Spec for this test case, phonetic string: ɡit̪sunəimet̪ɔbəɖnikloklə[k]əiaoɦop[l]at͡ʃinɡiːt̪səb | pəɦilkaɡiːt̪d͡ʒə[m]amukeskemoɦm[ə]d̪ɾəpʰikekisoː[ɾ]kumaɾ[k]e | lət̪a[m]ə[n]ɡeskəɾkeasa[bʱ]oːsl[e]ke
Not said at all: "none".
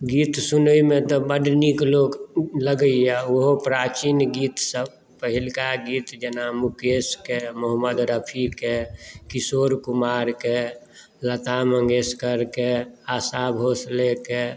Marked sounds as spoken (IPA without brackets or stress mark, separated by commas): ɡ, ɾ, n, ə, ɾ, k, m, ŋ, bʱ, e